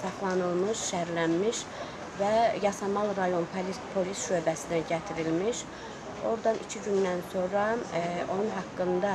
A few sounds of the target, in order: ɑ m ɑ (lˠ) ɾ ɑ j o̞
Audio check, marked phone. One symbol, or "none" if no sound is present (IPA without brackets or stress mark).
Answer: lˠ